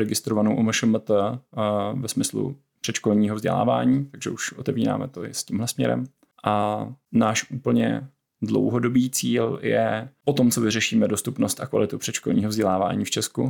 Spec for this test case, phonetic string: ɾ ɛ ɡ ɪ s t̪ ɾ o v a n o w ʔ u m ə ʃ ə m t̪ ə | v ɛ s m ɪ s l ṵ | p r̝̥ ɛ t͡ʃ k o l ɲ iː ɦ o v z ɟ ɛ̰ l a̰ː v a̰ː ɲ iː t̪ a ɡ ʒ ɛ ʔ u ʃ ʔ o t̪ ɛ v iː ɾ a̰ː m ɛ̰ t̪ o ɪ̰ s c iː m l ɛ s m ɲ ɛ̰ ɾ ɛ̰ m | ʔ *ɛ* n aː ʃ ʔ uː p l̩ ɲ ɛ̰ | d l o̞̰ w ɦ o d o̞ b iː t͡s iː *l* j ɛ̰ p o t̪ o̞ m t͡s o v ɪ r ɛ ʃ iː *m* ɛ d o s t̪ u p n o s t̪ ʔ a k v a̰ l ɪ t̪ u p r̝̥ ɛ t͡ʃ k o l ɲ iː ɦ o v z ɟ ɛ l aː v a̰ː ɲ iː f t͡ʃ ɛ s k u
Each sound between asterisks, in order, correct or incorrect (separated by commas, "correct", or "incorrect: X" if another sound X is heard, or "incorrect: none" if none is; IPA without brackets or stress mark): incorrect: a, correct, correct